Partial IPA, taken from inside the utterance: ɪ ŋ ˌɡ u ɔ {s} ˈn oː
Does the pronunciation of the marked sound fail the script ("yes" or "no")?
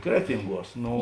no